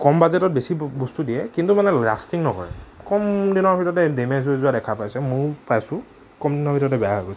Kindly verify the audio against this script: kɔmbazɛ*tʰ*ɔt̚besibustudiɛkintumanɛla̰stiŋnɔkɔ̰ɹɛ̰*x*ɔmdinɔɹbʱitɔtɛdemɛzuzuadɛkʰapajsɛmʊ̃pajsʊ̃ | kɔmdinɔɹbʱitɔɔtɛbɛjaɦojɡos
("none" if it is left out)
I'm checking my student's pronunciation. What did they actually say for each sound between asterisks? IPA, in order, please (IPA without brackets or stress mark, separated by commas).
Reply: t, k